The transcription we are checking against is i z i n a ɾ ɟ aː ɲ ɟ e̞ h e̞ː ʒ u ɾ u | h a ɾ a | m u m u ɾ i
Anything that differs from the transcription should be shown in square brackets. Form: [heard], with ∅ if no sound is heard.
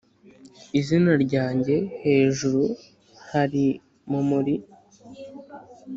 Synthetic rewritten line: i z i n a ɾ ɟ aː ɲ ɟ e̞ h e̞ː ʒ u ɾ u | h a ɾ [i] | m u m u ɾ i